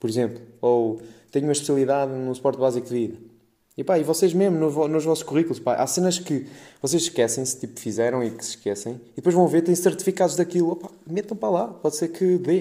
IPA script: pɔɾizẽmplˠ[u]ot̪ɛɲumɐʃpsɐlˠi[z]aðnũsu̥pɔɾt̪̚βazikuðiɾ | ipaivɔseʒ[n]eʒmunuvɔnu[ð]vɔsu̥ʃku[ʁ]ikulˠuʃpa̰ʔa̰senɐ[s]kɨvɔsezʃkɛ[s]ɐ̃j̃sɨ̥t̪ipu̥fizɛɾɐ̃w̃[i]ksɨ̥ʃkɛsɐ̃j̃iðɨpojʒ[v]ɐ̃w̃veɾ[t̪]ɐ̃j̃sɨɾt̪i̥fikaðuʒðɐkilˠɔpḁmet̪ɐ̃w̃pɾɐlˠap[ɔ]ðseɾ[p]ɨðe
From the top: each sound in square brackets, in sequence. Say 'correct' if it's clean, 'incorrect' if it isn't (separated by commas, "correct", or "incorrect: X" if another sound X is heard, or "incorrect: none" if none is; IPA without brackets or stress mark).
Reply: correct, incorrect: ð, incorrect: m, incorrect: ʒ, correct, incorrect: ʃ, correct, correct, correct, correct, correct, incorrect: k